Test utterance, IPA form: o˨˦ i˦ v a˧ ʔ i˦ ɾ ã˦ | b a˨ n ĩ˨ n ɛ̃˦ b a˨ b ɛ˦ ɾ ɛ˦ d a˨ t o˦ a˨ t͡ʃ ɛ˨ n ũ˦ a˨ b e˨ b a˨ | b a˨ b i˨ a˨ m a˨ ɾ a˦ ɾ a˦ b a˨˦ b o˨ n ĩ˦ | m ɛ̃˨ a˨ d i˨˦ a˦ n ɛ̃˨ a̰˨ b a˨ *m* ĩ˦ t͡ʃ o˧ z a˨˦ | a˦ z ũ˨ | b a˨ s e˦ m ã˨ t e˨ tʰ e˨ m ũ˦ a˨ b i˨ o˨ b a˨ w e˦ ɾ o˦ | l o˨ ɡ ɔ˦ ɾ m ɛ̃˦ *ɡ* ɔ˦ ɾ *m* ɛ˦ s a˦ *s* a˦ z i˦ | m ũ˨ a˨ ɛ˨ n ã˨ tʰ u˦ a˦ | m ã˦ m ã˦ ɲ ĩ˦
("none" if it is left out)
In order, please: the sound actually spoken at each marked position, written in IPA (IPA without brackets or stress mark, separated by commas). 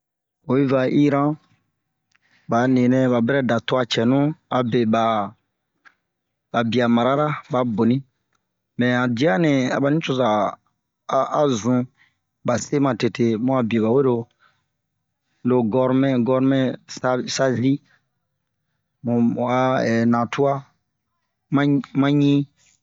n, ɡ, m, s